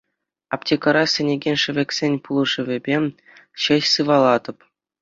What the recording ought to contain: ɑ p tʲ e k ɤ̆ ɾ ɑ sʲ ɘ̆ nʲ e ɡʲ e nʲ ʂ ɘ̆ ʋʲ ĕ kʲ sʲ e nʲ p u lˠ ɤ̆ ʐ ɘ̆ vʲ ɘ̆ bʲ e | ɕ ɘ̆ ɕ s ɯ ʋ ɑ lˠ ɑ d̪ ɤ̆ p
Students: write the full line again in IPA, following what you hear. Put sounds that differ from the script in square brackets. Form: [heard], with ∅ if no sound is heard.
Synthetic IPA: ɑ p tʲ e k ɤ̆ ɾ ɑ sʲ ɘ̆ nʲ e ɡʲ e nʲ ʂ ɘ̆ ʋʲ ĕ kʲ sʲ e nʲ p u lˠ ɤ̆ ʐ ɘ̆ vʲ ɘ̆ bʲ e | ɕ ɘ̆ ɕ s ɯ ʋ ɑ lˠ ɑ d̪ ɤ̆ p